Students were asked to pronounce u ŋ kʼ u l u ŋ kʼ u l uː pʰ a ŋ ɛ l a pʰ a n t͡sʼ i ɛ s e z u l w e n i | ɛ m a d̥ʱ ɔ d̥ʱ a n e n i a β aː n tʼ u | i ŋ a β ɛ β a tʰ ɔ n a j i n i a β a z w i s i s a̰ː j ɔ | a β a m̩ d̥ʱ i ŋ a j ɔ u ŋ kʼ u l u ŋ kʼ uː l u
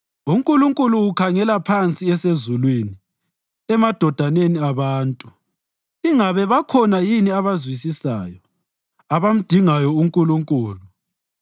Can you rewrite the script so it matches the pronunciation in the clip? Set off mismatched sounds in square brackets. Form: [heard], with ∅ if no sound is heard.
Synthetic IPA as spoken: u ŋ kʼ u l u ŋ kʼ u l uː [kʰ] a ŋ ɛ l a pʰ a n t͡sʼ i ɛ s e z u l w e n i | ɛ m a d̥ʱ ɔ d̥ʱ a n e n i a β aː n tʼ u | i ŋ a β ɛ β a [kʰ] ɔ n a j i n i a β a z w i s i s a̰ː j ɔ | a β a m̩ d̥ʱ i ŋ a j ɔ u ŋ kʼ u l u ŋ kʼ uː l u

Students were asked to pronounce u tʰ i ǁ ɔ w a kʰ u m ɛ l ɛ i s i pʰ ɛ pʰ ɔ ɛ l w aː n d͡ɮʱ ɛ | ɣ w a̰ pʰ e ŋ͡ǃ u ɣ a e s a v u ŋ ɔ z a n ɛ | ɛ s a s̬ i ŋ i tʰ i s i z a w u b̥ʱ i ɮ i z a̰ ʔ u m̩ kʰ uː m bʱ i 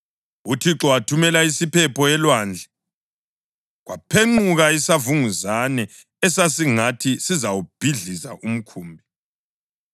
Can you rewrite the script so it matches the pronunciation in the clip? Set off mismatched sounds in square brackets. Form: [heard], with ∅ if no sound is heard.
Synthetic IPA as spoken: u tʰ i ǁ ɔ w a [tʰ] u m ɛ l [a] i s i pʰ ɛ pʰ ɔ ɛ l w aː n d͡ɮʱ ɛ | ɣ w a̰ pʰ e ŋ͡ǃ u ɣ a [i] s a v u ŋ [u] z a n ɛ | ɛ s a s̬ i ŋ [a] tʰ i s i z a w u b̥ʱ i ɮ i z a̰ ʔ u m̩ kʰ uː m bʱ i

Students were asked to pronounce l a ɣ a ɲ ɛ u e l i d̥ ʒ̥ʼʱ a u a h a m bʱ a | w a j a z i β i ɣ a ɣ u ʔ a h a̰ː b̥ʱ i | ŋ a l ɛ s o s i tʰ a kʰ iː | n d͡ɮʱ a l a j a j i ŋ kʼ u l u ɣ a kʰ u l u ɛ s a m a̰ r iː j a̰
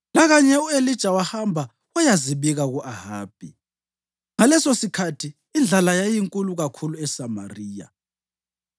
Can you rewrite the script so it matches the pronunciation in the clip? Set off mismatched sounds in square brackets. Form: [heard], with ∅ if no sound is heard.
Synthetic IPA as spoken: l a ɣ a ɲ ɛ u e l i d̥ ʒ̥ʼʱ a [w] a h a m bʱ a | w a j a z i β i ɣ a ɣ u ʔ a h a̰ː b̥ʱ i | ŋ a l ɛ s o s i [kʰ] a [tʰ] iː | n d͡ɮʱ a l a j a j i ŋ kʼ u l u ɣ a kʰ u l u ɛ s a m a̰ r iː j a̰

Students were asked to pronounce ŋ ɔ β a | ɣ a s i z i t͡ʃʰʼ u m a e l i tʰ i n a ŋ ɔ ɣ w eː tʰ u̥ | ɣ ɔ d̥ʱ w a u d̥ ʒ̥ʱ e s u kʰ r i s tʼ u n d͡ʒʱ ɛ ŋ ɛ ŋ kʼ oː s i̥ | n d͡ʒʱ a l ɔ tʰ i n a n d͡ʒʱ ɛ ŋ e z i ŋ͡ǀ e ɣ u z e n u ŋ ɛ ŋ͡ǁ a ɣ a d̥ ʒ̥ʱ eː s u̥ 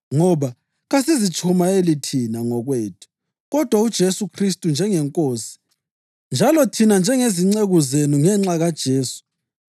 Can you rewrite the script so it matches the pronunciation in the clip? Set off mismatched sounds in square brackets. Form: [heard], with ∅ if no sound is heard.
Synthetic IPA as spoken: ŋ ɔ β a | ɣ a s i z i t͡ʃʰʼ u m a e l i tʰ i n a ŋ ɔ ɣ w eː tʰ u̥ | ɣ ɔ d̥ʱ w a u d̥ ʒ̥ʱ e s u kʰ r i s tʼ u n d͡ʒʱ ɛ ŋ ɛ ŋ kʼ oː s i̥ | n d͡ʒʱ a l ɔ tʰ i n a n d͡ʒʱ ɛ ŋ e z i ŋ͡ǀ e ɣ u z e n u ŋ ɛ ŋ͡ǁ a ɣ a d̥ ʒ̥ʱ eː s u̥

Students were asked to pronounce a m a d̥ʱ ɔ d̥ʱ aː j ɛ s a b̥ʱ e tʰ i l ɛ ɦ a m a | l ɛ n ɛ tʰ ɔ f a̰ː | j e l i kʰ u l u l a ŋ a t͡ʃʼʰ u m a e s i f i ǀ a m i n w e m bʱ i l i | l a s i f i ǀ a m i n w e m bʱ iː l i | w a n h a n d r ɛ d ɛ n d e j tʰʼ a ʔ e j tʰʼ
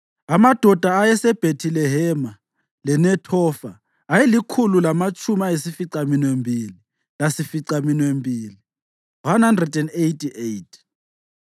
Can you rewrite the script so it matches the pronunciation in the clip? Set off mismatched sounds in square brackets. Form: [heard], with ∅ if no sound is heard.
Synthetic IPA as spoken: a m a d̥ʱ ɔ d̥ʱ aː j ɛ s [ɛ] b̥ʱ e tʰ i l ɛ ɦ [ɛ] m a | l ɛ n ɛ tʰ ɔ f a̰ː | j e l i kʰ u l u l a [m] a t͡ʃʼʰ u m a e s i f i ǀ a m i n w e m bʱ i l i | l a s i f i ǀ a m i n w e m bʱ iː l i | w a n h a n d r ɛ d ɛ n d e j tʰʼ [i] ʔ e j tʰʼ

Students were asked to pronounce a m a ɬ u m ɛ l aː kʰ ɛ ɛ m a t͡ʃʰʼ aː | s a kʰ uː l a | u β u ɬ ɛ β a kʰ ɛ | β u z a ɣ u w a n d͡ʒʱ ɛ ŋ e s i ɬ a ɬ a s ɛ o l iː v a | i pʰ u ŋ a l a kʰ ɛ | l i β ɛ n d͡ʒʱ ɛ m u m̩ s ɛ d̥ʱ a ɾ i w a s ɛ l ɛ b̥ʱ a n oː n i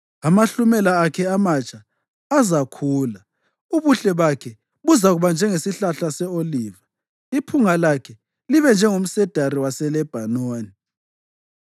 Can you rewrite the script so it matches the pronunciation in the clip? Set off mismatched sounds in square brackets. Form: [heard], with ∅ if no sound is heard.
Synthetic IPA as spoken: a m a ɬ u m ɛ l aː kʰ ɛ [a] m a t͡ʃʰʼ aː | [z] a kʰ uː l a | u β u ɬ ɛ β a kʰ ɛ | β u z a ɣ u [β] a n d͡ʒʱ ɛ ŋ e s i ɬ a ɬ a s ɛ o l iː v a | i pʰ u ŋ a l a kʰ ɛ | l i β ɛ n d͡ʒʱ ɛ [ŋ] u m̩ s ɛ d̥ʱ a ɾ i w a s ɛ l ɛ b̥ʱ a n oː n i

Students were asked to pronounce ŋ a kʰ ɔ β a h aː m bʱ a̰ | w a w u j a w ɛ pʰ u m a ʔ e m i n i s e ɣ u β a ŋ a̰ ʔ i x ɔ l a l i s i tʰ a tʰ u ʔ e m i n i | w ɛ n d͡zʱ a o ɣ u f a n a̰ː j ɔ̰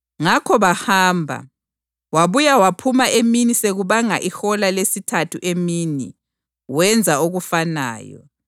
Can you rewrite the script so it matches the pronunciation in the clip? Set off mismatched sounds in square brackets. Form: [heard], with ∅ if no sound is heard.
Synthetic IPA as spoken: ŋ a kʰ ɔ β a h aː m bʱ a̰ | w a [β] u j a w [a] pʰ u m a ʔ e m i n i s e ɣ u β a ŋ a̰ ʔ i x ɔ l a l [e] s i tʰ a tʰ u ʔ e m i n i | w ɛ n d͡zʱ a o ɣ u f a n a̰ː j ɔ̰

